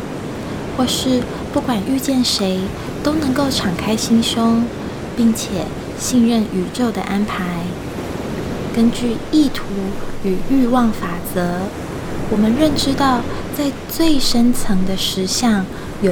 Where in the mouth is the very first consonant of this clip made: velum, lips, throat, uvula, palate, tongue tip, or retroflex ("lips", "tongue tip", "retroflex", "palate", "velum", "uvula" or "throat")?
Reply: velum